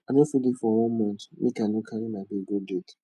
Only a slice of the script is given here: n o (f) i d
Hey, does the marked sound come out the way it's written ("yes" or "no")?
yes